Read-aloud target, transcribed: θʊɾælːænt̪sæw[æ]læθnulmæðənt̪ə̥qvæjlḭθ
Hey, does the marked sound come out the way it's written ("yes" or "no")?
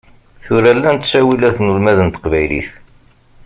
no